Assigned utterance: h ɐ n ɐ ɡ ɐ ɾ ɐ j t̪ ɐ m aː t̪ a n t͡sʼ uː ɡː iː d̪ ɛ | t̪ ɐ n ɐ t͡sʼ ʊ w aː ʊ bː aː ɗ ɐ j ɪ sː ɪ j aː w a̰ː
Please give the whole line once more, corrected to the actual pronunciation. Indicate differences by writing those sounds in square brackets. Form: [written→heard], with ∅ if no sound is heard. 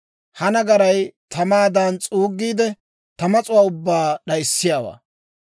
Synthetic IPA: h ɐ n ɐ ɡ ɐ ɾ ɐ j t̪ ɐ m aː [t̪→d̪] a n t͡sʼ uː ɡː iː d̪ ɛ | t̪ ɐ [n→m] ɐ t͡sʼ ʊ w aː ʊ bː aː ɗ ɐ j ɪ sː ɪ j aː w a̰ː